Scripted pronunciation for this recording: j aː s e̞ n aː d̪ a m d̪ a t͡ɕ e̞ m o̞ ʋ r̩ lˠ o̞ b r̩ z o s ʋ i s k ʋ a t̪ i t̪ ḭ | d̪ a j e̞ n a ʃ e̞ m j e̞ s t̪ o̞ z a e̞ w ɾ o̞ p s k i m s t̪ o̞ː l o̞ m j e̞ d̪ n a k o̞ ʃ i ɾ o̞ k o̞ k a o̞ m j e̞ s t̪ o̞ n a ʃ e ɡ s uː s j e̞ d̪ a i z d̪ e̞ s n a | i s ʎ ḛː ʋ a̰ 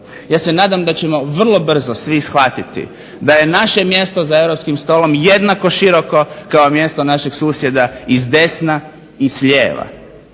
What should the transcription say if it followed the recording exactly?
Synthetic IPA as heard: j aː s e̞ n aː d̪ a m d̪ a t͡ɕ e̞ m o̞ ʋ r̩ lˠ o̞ b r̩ z o s ʋ i s x ʋ a t̪ i t̪ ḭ | d̪ a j e̞ n a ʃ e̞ m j e̞ s t̪ o̞ z a e̞ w ɾ o̞ p s k i m s t̪ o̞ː l o̞ m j e̞ d̪ n a k o̞ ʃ i ɾ o̞ k o̞ k a o̞ m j e̞ s t̪ o̞ n a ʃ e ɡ s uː s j e̞ d̪ a i z d̪ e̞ s n a | i s ʎ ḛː ʋ a̰